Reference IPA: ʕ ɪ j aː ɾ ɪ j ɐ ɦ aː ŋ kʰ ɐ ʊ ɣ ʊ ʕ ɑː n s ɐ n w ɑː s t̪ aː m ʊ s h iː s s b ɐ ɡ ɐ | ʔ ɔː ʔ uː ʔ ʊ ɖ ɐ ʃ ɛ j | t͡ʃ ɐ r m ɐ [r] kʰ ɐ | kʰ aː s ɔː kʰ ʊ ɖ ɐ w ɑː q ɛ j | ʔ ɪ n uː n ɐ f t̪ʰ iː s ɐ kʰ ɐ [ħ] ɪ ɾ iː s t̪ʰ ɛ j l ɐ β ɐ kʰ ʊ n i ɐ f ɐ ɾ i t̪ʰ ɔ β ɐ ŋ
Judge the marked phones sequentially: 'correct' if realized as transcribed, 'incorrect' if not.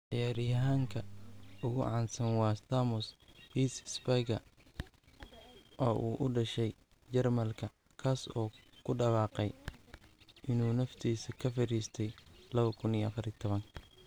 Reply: incorrect, incorrect

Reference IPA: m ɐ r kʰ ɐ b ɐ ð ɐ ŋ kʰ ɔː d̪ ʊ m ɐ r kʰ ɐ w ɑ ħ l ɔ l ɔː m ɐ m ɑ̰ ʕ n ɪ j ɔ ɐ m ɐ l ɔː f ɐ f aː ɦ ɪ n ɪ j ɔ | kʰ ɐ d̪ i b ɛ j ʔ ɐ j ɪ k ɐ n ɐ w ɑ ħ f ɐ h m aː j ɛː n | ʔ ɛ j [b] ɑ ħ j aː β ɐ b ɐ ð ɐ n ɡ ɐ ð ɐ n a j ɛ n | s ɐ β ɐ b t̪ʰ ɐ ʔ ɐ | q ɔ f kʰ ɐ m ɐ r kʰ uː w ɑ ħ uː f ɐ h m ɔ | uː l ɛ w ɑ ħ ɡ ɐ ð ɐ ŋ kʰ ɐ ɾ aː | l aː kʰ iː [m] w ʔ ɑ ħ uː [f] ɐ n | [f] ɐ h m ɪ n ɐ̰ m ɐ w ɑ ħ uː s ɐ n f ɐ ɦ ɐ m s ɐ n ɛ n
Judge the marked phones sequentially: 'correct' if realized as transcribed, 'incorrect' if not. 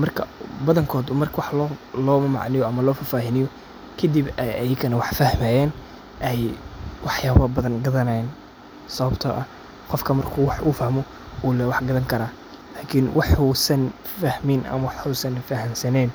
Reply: incorrect, incorrect, incorrect, correct

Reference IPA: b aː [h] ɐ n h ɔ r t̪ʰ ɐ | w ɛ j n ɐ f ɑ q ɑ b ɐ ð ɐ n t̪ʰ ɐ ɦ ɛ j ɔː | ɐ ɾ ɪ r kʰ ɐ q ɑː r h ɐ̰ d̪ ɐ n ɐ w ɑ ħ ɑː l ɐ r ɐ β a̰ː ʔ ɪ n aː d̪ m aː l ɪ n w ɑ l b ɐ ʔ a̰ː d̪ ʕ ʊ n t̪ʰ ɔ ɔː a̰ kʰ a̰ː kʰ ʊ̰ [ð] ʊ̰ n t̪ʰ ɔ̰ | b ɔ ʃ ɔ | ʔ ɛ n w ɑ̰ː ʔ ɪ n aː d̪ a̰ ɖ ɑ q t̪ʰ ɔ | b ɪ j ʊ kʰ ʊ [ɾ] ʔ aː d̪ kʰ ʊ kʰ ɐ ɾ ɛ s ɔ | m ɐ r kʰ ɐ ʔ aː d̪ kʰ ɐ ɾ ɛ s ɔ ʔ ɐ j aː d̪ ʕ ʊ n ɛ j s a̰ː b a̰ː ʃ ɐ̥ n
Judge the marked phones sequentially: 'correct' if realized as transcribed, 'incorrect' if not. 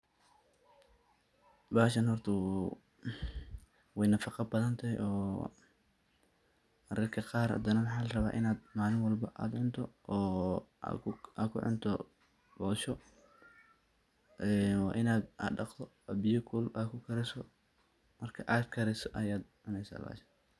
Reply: incorrect, incorrect, incorrect

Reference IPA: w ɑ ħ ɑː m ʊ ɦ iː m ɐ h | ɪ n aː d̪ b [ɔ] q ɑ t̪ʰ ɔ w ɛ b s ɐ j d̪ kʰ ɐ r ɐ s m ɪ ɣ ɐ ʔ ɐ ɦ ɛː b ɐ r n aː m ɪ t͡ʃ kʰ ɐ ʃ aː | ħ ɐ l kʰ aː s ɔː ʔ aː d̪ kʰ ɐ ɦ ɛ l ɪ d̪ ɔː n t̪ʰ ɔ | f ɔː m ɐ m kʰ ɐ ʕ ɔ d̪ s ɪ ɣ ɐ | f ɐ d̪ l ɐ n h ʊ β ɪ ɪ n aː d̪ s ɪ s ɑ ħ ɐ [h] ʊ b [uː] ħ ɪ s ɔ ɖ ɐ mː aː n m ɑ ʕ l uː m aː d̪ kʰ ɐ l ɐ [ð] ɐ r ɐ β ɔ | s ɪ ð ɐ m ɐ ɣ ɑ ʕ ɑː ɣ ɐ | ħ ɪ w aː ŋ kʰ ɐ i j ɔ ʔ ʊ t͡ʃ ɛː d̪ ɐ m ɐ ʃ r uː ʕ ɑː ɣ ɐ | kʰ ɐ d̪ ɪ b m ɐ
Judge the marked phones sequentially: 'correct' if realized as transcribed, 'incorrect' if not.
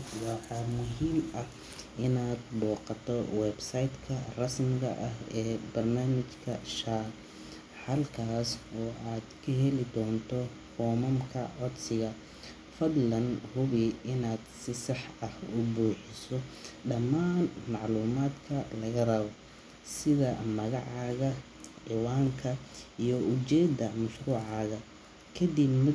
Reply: incorrect, correct, correct, incorrect

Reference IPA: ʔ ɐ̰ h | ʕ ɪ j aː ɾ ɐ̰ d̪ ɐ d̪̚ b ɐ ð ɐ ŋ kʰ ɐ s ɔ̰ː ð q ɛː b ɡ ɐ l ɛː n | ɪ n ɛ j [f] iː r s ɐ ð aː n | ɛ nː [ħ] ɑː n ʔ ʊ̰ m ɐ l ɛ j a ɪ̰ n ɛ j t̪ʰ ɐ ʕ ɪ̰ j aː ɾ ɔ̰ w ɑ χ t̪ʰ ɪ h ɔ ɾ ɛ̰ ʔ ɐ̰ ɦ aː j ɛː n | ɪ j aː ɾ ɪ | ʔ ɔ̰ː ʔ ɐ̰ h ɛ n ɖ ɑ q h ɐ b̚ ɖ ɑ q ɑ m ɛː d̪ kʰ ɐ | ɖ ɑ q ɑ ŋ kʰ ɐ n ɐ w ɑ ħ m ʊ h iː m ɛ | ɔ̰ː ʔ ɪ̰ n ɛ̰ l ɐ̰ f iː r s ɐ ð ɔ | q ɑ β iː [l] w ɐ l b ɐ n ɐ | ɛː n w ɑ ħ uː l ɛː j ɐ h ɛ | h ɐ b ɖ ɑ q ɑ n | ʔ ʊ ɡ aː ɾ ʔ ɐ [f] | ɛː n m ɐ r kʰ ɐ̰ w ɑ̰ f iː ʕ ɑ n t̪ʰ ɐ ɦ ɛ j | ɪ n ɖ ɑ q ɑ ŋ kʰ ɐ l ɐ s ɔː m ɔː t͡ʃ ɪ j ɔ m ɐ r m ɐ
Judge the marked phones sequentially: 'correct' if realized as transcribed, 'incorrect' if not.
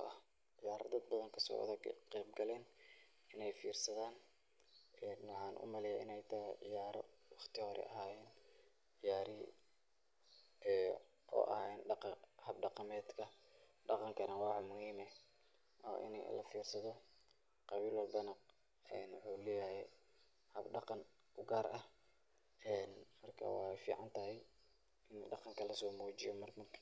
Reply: correct, correct, correct, incorrect

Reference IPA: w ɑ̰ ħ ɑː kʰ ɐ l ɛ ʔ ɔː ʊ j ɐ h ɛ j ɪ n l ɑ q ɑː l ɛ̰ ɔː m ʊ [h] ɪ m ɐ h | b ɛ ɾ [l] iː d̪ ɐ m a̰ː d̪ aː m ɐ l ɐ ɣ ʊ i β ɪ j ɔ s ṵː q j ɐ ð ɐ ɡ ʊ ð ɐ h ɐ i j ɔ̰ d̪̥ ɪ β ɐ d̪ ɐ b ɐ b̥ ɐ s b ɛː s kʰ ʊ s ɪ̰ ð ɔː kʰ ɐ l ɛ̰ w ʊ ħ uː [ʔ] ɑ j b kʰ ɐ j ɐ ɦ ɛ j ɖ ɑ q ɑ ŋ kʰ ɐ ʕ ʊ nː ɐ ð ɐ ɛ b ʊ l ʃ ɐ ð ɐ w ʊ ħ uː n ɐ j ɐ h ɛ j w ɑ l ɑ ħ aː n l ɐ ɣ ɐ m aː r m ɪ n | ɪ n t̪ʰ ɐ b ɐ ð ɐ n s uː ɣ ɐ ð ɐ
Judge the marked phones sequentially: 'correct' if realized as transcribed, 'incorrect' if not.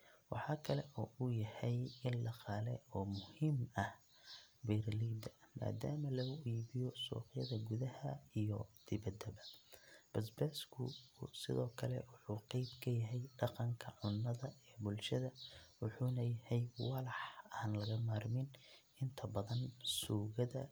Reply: correct, correct, incorrect

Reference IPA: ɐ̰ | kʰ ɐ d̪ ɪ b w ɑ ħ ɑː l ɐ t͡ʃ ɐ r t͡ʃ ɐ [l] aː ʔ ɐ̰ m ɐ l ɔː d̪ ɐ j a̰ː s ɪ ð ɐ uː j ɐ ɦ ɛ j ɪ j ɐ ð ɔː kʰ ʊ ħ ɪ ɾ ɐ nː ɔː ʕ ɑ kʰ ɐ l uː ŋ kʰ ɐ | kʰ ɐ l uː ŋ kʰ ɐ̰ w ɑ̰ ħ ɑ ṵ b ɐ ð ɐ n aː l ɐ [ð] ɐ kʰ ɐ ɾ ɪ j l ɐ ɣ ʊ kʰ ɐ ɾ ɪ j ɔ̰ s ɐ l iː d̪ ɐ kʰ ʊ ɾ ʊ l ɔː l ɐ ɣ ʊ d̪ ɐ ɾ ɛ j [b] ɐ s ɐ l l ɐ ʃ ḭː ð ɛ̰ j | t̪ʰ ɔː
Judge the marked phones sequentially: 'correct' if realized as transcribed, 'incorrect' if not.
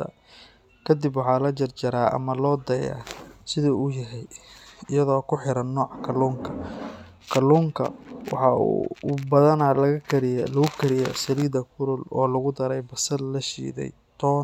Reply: incorrect, incorrect, correct

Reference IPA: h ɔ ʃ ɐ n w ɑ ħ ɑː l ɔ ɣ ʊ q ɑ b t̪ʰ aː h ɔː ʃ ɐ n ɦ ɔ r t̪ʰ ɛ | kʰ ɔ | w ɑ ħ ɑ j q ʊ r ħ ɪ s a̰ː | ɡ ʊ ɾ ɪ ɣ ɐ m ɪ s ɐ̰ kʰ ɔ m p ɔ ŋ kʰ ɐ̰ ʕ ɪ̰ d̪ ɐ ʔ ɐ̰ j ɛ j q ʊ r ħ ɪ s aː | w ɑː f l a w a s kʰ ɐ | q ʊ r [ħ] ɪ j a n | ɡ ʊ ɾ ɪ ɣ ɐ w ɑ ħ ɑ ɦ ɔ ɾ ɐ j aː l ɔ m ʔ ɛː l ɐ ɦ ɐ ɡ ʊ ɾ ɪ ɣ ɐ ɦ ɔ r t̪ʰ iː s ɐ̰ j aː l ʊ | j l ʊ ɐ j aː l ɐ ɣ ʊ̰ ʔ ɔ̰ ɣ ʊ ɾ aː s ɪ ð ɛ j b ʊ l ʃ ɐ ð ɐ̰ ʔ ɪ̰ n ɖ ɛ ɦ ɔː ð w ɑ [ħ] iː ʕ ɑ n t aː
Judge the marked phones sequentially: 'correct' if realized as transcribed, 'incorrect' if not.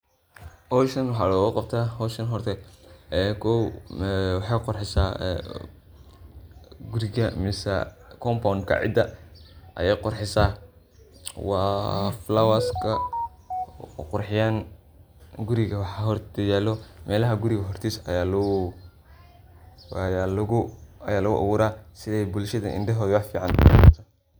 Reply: correct, incorrect

